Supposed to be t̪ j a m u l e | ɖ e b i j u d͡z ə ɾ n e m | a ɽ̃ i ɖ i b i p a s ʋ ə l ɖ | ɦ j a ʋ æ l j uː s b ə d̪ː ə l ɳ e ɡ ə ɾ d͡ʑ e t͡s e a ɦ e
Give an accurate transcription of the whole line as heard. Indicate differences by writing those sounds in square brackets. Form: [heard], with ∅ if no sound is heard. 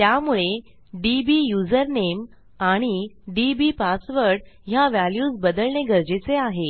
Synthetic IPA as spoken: t̪ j a m u [ɭ] e | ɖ [i] b i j u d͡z ə ɾ n e m | a ɽ̃ i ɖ i b i p a s ʋ ə [ɾ] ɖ | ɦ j a ʋ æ l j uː s b ə [d̪] ə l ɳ e ɡ ə ɾ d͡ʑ e t͡s e a ɦ e